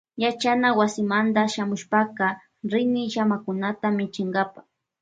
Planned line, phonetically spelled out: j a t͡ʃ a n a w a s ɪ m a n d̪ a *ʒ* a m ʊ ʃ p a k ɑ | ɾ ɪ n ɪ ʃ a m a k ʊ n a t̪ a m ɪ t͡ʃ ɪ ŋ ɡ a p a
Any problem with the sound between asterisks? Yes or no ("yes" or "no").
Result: yes